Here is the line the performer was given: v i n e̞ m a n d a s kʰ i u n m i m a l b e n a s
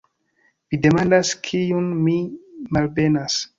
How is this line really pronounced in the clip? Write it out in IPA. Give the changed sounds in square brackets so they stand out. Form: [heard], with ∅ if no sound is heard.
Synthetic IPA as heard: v i [d] e̞ m a n d a s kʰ i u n m i m a l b e n a s